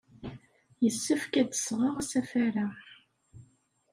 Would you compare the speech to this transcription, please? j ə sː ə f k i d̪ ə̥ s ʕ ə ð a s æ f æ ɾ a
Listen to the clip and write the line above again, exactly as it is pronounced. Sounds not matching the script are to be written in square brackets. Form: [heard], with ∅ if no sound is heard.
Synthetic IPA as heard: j ə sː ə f k [æ] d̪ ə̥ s [ʁ] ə [ʁ] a s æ f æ ɾ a